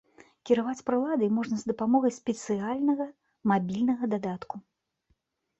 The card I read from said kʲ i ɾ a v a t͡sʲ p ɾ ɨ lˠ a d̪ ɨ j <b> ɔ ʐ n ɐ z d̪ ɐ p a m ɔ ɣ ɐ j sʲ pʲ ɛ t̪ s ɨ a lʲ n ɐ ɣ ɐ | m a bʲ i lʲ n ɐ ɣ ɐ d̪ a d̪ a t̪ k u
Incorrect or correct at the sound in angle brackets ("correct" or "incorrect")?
incorrect